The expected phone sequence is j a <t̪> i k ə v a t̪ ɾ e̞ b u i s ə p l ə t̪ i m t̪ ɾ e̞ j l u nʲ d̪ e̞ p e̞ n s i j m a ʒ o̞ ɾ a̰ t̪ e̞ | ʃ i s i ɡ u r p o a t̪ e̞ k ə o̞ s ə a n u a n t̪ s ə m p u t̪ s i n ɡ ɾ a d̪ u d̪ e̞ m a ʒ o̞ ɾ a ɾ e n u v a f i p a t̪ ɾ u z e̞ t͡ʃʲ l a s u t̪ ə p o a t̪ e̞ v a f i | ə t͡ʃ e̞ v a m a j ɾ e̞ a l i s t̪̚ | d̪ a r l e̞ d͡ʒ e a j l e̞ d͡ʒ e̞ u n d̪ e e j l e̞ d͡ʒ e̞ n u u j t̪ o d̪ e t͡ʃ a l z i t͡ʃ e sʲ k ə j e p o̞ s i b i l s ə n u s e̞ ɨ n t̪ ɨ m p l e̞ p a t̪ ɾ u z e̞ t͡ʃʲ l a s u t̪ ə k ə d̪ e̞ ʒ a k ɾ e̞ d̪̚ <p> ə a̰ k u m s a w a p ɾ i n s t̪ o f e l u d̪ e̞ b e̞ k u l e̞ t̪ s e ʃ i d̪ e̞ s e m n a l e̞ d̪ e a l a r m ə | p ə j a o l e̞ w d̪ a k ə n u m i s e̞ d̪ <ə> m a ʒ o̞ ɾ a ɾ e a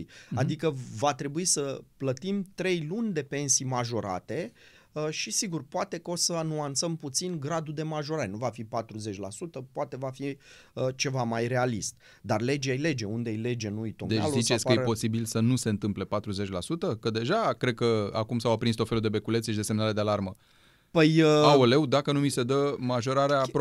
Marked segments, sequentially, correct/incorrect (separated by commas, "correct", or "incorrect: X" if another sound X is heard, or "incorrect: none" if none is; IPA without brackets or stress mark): incorrect: d̪, incorrect: k, correct